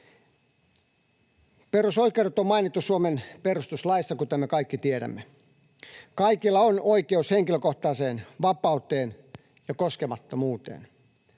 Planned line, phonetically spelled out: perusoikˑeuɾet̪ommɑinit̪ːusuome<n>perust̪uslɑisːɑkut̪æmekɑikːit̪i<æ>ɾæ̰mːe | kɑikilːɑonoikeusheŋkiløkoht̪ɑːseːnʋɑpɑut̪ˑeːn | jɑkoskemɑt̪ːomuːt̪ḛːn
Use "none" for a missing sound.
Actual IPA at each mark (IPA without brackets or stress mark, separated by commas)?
n, e